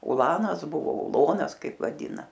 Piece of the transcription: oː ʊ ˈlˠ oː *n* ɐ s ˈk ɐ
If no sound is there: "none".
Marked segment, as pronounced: n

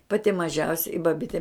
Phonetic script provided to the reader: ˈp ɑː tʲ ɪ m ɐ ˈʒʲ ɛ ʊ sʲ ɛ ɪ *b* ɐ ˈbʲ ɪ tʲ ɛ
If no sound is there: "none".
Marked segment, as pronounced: b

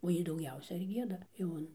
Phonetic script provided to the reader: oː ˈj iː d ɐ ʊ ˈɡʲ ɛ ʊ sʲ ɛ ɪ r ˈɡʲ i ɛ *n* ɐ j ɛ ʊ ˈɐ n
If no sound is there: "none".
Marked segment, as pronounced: d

